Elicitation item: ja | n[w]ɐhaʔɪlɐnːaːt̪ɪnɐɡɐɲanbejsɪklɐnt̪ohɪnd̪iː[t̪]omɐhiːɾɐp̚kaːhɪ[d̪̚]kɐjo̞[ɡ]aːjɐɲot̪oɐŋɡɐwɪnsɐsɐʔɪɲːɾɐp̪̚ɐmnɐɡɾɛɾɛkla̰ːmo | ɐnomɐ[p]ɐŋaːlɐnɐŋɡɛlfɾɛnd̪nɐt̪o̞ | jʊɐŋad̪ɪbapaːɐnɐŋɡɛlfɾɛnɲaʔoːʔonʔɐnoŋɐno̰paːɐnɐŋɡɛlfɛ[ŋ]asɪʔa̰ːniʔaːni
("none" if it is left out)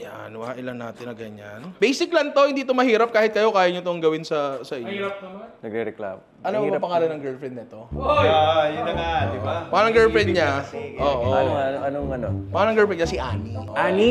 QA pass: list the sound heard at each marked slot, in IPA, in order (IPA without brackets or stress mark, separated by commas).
w, t̪, t̪̚, k, p, ɲ